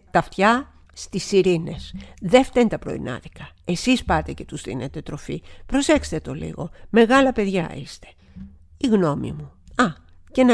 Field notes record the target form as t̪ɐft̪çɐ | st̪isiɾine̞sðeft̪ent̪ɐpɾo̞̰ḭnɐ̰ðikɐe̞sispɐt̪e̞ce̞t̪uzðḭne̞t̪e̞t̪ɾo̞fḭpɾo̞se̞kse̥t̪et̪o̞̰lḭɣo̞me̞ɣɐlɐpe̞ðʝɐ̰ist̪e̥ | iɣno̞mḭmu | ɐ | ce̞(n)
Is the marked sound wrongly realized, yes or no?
no